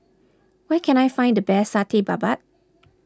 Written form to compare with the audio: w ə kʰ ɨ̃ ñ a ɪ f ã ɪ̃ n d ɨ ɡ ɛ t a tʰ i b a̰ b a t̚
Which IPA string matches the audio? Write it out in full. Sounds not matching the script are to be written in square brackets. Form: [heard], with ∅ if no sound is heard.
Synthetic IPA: w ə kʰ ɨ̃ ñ a ɪ f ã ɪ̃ n d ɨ [b] ɛ [s] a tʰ i b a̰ b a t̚

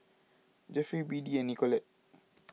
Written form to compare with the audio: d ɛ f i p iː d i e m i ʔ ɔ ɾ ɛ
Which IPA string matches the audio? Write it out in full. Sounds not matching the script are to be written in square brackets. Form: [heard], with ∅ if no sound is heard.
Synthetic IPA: [d͡ʒ] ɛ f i [b] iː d i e [n] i [k] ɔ [l] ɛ

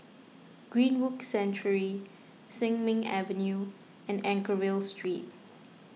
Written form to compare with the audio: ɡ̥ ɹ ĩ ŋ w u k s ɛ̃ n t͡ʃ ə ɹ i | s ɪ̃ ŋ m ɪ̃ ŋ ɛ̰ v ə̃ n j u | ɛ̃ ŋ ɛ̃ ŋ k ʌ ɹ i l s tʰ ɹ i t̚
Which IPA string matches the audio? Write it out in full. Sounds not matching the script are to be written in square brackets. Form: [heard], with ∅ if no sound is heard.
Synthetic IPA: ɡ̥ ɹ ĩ [n] w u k s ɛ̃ n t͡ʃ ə ɹ i | s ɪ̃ ŋ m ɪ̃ ŋ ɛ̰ v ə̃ n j u | ɛ̃ [n] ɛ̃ ŋ k [ə] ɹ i l s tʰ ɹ i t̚

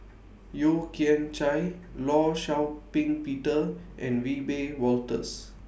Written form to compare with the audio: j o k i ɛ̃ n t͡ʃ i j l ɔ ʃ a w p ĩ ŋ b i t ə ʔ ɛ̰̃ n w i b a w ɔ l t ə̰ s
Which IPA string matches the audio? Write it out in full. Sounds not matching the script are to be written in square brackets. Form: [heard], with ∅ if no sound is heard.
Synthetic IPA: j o k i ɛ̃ n t͡ʃ [a] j l ɔ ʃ a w p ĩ ŋ [p] i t ə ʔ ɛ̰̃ n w i b [e] w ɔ l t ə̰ s

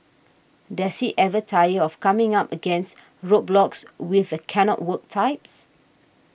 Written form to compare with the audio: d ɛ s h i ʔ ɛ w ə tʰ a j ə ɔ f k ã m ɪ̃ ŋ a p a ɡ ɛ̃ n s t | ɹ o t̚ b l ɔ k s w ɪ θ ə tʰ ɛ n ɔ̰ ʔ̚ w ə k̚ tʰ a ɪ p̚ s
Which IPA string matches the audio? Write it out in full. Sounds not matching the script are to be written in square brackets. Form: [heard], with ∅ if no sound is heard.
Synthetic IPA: d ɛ s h i ʔ ɛ [v] ə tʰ a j ə ɔ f k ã m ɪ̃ ŋ a p [ə] ɡ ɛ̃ n s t | ɹ o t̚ b l ɔ k s w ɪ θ ə [kʰ] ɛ n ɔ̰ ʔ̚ w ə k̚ tʰ a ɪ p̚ s

